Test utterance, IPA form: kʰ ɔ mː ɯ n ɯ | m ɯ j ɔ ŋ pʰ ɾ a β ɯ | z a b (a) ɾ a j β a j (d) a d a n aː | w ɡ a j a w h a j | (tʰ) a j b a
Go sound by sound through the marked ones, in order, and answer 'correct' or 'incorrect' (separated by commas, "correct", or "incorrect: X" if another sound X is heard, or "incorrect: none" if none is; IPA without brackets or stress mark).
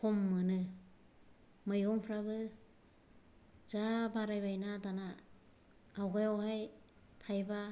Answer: correct, incorrect: n, correct